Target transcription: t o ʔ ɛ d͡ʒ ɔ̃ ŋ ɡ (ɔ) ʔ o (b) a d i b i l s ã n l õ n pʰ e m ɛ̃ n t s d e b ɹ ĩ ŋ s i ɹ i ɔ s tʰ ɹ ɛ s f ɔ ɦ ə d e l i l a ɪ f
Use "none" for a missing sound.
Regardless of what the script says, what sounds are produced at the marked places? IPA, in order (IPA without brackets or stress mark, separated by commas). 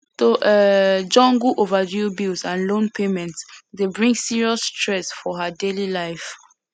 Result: u, v